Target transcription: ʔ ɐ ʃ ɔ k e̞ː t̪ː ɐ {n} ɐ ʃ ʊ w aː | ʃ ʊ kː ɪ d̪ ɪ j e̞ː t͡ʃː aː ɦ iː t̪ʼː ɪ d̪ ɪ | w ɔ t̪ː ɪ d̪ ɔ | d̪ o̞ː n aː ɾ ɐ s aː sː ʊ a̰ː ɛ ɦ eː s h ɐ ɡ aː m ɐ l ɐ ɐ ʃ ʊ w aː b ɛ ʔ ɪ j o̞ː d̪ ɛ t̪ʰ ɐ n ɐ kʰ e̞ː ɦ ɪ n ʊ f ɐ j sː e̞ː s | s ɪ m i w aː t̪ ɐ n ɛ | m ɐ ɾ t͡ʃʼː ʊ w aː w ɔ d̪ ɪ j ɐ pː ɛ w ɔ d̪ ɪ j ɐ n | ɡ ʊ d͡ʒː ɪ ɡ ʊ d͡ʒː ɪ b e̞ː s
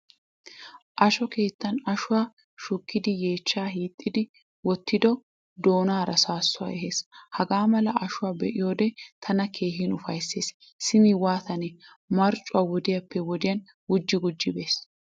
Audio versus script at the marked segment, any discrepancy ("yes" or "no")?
no